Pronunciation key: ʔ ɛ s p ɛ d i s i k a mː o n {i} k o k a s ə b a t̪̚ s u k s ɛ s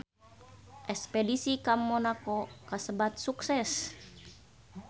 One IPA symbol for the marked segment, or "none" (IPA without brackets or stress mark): a